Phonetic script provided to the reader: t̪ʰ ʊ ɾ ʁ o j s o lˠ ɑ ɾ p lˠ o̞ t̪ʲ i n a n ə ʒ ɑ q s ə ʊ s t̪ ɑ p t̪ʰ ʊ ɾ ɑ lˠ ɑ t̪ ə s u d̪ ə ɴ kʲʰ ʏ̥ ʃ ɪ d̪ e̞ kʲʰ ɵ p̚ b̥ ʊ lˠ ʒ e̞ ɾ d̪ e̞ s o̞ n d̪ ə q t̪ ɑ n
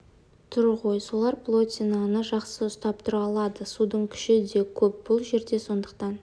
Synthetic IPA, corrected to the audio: t̪ʰ ʊ ɾ ʁ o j s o lˠ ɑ ɾ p lˠ o̞ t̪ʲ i n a n ə ʒ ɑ q s ə ʊ s t̪ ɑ p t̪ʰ ʊ ɾ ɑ lˠ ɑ d̪ ə s u d̪ ə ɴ kʲʰ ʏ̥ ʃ ɪ d̪ e̞ kʲʰ ɵ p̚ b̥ ʊ lˠ ʒ e̞ ɾ d̪ e̞ s o̞ n d̪ ə q t̪ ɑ n